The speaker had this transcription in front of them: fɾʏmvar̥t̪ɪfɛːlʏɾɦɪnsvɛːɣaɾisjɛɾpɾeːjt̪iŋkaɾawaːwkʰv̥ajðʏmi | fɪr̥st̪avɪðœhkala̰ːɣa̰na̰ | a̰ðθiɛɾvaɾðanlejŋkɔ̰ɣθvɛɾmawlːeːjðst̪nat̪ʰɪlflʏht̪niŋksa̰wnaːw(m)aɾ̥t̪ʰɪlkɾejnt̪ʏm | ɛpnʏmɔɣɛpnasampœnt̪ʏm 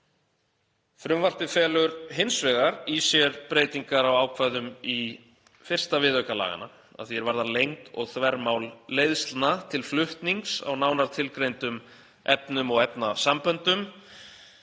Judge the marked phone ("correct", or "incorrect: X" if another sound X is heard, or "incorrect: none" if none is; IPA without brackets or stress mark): incorrect: n